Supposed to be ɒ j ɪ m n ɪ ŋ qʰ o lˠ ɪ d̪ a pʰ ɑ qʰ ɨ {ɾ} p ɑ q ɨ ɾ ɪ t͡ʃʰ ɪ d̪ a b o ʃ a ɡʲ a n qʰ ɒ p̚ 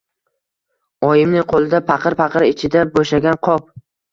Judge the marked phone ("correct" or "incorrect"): correct